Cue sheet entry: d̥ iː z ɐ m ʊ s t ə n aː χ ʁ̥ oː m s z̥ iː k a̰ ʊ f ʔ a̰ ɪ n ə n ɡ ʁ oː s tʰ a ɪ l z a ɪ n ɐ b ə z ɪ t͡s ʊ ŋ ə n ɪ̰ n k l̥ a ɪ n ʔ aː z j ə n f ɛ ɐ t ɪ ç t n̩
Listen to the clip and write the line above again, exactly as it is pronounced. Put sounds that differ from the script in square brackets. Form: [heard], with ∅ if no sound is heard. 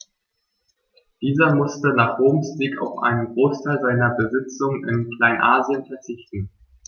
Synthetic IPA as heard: d̥ iː z ɐ m ʊ s t ə n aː χ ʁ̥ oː m s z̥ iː k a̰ ʊ f ʔ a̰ ɪ n ə n ɡ ʁ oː s tʰ a ɪ l z a ɪ n ɐ b ə z ɪ t͡s ʊ ŋ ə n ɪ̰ n k l̥ a ɪ n ʔ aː z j ə n f ɛ ɐ [t͡s] ɪ ç t n̩